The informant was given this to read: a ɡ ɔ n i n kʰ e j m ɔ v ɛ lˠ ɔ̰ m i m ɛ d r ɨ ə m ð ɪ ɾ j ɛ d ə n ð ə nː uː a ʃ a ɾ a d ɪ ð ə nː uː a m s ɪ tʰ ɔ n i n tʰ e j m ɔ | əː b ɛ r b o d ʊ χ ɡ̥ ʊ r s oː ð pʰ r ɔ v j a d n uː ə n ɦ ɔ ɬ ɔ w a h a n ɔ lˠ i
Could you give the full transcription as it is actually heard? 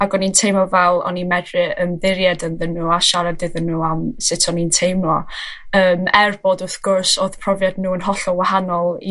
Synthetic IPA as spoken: a ɡ ɔ n i n tʰ e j m ɔ v ɛ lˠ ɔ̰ n i m ɛ d r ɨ ə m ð ɪ ɾ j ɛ d ə n ð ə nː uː a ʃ a ɾ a d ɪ ð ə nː uː a m s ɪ tʰ ɔ n i n tʰ e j m ɔ | əː m ɛ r b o d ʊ θ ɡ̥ ʊ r s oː ð pʰ r ɔ v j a d n uː ə n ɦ ɔ ɬ ɔ w a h a n ɔ lˠ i